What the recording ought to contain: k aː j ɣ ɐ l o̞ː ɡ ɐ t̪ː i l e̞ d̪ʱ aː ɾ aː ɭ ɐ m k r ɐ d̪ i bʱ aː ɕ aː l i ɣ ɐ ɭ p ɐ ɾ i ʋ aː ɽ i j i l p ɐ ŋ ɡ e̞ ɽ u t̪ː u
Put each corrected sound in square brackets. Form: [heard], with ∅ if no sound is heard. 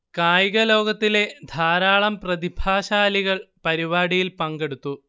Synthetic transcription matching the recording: k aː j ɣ ɐ l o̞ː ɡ ɐ t̪ː i l e̞ d̪ʱ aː ɾ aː ɭ ɐ m [p] r ɐ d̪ i bʱ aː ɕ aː l i ɣ ɐ ɭ p ɐ ɾ i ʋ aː ɽ i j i l p ɐ ŋ ɡ e̞ ɽ u t̪ː u